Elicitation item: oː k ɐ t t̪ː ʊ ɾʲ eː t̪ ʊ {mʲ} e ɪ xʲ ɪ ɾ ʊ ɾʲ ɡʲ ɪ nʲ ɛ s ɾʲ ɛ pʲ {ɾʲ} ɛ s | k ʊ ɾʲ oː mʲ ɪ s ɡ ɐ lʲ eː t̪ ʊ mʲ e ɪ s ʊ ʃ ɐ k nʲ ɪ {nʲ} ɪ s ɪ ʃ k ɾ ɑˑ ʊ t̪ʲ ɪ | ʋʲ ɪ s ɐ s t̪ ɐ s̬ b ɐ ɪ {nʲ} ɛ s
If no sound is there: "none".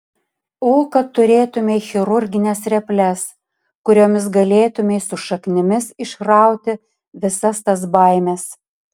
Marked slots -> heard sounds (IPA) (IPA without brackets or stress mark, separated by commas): mʲ, lʲ, mʲ, mʲ